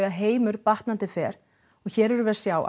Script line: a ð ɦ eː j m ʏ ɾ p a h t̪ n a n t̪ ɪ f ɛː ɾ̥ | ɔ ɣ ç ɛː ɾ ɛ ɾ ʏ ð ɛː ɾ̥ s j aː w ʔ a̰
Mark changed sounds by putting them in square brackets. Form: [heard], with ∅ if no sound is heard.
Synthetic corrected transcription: a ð ɦ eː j m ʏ ɾ p a h t̪ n a n t̪ ɪ f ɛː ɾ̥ | ɔ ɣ ç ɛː ɾ ɛ ɾ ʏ [v] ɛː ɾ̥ s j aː w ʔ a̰